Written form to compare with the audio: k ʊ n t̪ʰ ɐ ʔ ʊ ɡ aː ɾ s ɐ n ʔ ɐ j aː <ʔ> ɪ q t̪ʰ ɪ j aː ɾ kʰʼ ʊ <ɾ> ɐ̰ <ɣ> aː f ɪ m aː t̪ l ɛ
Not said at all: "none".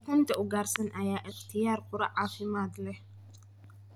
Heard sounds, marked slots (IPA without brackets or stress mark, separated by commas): ʔ, ɾ, ʕ